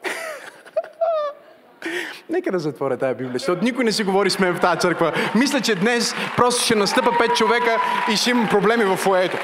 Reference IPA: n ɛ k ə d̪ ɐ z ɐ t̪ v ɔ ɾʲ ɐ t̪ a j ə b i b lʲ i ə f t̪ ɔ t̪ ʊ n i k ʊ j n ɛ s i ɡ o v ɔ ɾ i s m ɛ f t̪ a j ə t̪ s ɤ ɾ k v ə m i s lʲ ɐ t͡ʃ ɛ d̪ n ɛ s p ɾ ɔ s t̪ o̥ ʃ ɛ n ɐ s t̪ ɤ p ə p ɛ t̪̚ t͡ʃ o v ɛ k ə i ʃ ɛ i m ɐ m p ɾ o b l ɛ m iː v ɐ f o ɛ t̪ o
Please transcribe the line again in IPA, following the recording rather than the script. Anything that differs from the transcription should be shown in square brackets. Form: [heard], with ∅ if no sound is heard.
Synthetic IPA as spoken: n ɛ k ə d̪ ɐ z ɐ t̪ v ɔ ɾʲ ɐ t̪ a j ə b i b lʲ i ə [ʃ] t̪ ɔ t̪ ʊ n i k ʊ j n ɛ s i ɡ o v ɔ ɾ i s m ɛ f t̪ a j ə t̪ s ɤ ɾ k v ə m i s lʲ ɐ t͡ʃ ɛ d̪ n ɛ s p ɾ ɔ s t̪ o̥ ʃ ɛ n ɐ s t̪ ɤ p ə p ɛ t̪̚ t͡ʃ o v ɛ k ə i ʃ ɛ i m ɐ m p ɾ o b l ɛ m [i] v ɐ f o ɛ t̪ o